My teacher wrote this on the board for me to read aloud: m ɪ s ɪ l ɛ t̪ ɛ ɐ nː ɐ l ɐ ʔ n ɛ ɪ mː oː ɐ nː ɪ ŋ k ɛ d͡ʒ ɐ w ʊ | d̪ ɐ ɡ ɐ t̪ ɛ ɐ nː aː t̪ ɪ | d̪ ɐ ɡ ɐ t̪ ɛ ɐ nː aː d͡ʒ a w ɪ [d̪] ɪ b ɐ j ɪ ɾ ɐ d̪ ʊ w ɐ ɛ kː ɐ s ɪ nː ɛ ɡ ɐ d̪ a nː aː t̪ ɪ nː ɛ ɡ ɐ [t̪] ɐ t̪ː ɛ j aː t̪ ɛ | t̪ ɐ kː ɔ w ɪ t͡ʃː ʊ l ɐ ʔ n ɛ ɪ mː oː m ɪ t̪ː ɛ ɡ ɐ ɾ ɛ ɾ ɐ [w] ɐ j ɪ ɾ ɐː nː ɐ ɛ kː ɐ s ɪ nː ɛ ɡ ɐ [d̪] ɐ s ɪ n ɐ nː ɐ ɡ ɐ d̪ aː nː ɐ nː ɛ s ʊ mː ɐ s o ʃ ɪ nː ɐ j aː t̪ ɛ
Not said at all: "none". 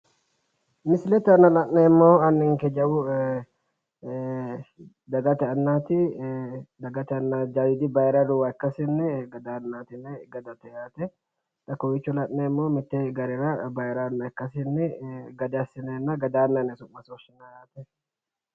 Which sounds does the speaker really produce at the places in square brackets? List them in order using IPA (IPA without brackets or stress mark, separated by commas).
d̪, d̪, b, d̪